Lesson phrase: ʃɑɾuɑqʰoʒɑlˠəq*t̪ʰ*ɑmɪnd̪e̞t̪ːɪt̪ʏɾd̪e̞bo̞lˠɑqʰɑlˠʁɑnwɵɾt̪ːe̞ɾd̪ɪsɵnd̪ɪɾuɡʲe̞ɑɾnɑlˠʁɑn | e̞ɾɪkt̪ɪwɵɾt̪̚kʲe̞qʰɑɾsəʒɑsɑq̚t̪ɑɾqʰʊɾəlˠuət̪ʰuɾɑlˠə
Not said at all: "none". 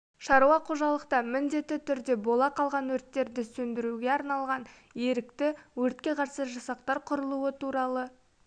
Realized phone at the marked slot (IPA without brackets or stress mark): t̪